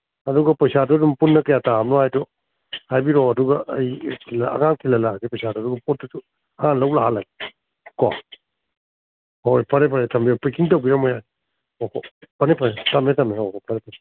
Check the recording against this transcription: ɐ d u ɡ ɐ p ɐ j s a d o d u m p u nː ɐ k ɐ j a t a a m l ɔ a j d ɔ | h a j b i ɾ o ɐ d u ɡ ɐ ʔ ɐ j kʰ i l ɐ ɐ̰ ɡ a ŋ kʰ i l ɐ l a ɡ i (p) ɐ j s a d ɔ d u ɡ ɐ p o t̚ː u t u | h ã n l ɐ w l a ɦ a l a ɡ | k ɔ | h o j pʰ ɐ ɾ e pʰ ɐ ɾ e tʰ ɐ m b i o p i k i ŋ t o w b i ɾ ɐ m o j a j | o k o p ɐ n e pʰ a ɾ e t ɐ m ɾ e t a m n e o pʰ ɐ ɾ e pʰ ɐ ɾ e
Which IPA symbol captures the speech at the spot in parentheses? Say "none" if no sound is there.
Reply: p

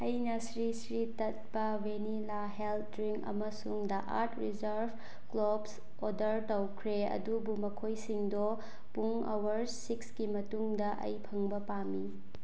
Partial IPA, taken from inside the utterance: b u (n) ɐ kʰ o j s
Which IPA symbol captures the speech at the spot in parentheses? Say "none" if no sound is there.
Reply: m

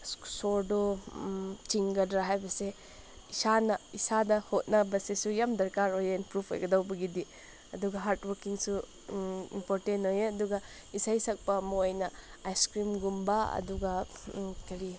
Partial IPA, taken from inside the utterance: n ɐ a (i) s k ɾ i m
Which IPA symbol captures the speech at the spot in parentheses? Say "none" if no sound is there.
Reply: j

